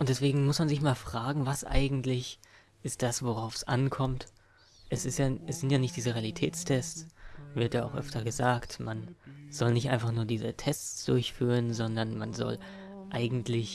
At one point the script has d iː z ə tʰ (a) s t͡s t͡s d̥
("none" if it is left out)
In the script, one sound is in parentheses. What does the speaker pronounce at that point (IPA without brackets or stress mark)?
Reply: ɛ